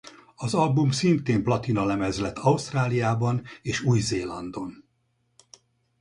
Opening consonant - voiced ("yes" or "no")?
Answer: yes